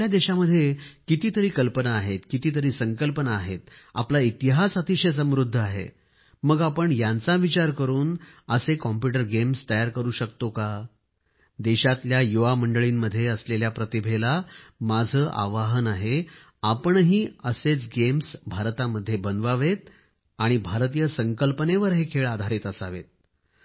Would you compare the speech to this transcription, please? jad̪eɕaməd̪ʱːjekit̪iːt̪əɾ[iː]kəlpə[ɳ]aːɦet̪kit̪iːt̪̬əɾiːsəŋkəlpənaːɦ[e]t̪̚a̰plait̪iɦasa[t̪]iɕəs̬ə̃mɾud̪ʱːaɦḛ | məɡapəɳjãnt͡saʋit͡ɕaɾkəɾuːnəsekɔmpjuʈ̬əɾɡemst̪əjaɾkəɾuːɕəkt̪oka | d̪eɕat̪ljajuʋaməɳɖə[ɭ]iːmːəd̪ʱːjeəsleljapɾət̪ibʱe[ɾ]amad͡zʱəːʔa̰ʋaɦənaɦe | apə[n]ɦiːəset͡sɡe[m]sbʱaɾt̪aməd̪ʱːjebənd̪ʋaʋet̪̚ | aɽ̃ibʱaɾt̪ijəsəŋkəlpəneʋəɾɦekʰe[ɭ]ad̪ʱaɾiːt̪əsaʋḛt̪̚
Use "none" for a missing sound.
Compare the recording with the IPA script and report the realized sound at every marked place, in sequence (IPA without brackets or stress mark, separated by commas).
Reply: iː, n, e, t̪, ɭ, l, ɳ, m, ɭ